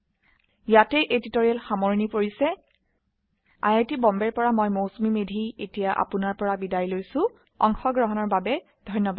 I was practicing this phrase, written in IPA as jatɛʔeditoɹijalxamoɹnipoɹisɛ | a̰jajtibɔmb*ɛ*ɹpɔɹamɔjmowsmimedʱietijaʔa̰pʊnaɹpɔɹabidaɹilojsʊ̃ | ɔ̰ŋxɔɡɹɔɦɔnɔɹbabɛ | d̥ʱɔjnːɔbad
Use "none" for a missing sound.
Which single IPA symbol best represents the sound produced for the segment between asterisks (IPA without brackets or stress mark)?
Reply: ɛ